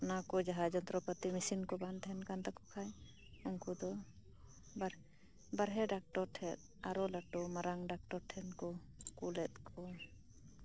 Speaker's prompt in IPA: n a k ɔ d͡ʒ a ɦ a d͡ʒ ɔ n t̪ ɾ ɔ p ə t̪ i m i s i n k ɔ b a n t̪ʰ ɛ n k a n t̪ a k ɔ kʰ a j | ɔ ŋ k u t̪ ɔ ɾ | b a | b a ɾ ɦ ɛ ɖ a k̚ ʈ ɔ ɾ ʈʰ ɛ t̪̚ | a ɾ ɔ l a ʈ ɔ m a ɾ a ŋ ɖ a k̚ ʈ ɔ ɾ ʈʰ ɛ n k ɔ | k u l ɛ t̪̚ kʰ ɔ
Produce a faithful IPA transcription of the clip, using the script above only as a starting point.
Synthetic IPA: n a k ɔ d͡ʒ a ɦ a d͡ʒ ɔ n t̪ ɾ ɔ p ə t̪ i m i s i n k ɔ b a n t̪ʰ ɛ n k a n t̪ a k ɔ kʰ a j | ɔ ŋ k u d̪ ɔ | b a | b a ɾ ɦ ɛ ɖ a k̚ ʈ ɔ ɾ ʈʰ ɛ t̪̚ | a ɾ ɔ l a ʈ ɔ m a ɾ a ŋ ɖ a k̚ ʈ ɔ ɾ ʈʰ ɛ n k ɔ | k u l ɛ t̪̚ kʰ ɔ